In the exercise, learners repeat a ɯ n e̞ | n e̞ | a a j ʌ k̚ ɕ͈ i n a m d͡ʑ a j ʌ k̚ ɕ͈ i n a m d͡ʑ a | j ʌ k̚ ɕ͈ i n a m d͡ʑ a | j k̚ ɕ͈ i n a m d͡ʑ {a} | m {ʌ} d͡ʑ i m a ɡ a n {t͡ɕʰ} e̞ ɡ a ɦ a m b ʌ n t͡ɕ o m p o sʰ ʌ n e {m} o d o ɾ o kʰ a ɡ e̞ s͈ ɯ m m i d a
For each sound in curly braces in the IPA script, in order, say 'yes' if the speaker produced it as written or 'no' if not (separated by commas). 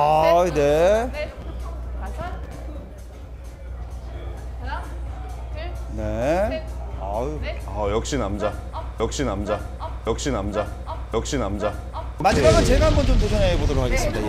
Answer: yes, no, no, no